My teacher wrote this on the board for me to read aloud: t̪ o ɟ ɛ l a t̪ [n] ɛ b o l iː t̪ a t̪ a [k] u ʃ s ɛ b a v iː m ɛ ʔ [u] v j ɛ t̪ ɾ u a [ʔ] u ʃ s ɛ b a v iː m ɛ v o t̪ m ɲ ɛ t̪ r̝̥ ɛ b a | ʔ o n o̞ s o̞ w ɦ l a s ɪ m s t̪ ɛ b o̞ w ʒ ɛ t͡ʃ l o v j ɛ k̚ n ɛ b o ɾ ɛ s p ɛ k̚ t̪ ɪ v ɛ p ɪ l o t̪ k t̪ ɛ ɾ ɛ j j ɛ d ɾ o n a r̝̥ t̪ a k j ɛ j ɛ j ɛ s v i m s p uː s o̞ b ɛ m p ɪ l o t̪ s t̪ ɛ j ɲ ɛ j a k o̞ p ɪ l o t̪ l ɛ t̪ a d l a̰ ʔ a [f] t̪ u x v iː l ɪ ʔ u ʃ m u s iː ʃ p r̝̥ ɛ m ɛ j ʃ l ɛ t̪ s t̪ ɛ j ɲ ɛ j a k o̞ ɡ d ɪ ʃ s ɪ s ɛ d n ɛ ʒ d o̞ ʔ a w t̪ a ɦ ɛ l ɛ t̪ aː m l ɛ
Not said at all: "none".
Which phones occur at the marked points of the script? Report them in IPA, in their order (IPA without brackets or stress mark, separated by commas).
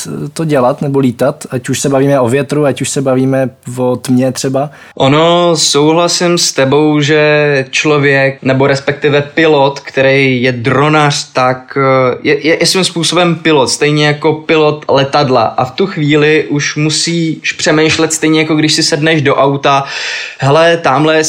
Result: n, c, o, c, f